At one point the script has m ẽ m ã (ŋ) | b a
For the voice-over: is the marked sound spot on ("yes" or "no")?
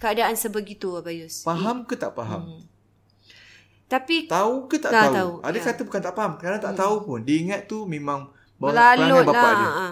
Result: yes